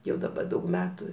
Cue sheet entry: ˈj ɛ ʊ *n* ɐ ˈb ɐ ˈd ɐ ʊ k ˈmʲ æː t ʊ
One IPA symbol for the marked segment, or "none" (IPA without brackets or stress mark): d